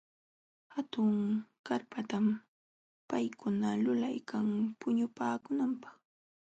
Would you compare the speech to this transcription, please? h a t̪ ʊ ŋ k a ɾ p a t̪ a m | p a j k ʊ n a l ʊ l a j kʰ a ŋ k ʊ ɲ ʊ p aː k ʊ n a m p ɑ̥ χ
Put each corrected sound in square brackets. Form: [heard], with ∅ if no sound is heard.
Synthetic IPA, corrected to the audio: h a t̪ ʊ ŋ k a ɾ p a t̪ a m | p a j k ʊ n a l ʊ l a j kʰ a ŋ [p] ʊ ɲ ʊ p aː k ʊ n a m p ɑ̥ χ